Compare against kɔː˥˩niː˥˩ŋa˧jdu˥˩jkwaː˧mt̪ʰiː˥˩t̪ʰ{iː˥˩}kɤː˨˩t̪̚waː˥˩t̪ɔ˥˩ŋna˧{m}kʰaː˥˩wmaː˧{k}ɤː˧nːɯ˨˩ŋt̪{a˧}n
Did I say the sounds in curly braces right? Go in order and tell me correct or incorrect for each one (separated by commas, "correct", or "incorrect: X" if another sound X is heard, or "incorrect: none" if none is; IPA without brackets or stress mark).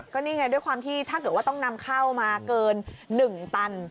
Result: incorrect: aː˥˩, correct, correct, correct